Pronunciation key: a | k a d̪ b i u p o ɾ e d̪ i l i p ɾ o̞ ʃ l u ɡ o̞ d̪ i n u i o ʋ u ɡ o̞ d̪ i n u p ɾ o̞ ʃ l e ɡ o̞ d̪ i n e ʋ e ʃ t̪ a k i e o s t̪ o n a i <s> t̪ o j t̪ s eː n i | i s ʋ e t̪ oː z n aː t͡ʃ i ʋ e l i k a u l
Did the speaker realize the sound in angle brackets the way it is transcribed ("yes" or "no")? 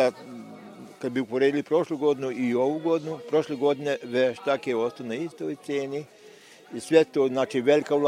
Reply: yes